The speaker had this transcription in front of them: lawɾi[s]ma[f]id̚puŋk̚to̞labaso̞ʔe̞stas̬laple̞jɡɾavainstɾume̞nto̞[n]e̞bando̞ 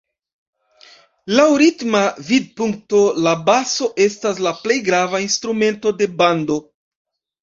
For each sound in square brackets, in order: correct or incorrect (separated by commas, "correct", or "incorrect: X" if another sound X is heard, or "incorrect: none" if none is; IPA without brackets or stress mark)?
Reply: incorrect: t, incorrect: v, incorrect: d